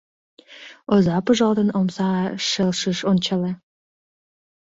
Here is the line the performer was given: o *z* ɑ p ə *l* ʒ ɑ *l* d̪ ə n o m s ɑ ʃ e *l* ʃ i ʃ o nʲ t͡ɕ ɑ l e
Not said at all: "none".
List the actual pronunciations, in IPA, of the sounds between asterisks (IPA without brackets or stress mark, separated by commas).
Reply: z, none, l, l